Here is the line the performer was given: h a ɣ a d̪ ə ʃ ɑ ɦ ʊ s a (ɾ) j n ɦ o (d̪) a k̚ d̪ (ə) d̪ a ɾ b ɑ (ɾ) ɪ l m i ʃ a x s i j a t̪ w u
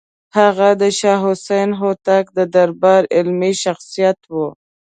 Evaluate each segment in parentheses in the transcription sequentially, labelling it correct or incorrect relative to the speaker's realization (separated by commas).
incorrect, incorrect, correct, correct